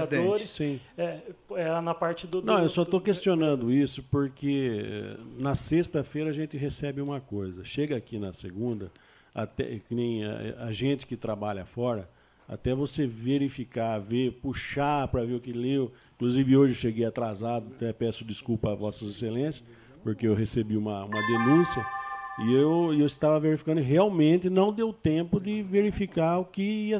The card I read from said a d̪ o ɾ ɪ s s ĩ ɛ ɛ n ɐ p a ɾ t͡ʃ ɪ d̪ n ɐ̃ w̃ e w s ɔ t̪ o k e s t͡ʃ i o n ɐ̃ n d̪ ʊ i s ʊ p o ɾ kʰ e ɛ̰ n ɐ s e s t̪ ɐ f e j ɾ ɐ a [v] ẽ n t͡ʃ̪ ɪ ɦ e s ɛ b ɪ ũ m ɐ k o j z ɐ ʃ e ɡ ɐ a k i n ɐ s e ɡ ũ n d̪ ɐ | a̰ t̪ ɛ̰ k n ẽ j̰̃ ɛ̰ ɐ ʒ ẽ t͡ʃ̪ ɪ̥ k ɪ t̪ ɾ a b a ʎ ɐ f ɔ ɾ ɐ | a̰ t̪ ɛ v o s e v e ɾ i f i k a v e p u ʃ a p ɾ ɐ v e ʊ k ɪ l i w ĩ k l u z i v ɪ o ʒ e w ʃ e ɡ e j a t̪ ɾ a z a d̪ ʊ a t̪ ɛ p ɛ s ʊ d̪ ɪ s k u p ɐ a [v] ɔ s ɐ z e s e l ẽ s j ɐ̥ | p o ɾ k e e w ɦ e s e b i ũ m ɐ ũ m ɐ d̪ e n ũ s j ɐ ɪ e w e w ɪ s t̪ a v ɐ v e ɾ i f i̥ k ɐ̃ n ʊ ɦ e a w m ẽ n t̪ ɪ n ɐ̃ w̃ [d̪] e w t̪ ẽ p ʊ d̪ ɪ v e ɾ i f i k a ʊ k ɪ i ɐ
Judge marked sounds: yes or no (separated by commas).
no, yes, yes